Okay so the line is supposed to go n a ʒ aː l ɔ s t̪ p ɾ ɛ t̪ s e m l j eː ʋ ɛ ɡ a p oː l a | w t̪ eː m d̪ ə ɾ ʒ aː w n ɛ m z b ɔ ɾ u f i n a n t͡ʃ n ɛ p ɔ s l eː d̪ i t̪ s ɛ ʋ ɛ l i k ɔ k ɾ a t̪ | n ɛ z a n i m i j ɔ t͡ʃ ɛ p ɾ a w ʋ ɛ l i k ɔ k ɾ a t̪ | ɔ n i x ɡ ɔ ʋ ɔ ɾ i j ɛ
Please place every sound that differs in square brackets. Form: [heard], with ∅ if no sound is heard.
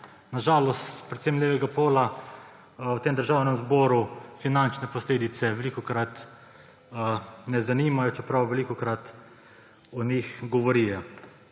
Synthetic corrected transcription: n a ʒ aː l ɔ s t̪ p ɾ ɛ t̪ s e m l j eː ʋ ɛ ɡ a p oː l a | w t̪ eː m d̪ ə ɾ ʒ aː w n ɛ m z b ɔ ɾ u f i n a n t͡ʃ n ɛ p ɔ s l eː d̪ i t̪ s ɛ ʋ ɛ l i k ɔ k ɾ a t̪ | n ɛ z a n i m [a] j ɔ t͡ʃ ɛ p ɾ a w ʋ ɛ l i k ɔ k ɾ a t̪ | ɔ n i x ɡ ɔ ʋ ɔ ɾ i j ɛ